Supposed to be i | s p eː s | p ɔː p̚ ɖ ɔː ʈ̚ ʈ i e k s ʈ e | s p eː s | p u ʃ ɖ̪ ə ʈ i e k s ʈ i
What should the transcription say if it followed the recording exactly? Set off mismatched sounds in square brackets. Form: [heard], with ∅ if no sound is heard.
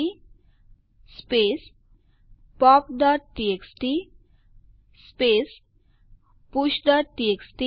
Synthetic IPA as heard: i | s p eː s | p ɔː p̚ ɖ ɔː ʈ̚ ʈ i e k s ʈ [i] | s p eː s | p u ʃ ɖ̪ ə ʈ i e k s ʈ i